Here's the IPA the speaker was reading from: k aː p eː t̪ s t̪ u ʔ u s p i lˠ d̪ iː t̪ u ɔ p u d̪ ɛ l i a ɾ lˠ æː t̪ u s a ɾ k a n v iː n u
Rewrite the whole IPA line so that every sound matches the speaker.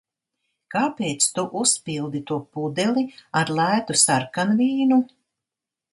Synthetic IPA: k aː p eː t̪ s t̪ u ʔ u s p i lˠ d̪ i t̪ u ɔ p u d̪ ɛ l i a ɾ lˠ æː t̪ u s a ɾ k a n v iː n u